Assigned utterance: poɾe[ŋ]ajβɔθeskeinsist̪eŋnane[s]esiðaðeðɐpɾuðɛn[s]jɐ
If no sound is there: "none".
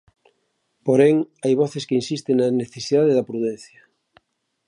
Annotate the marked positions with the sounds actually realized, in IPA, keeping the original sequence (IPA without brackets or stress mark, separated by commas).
ŋ, θ, θ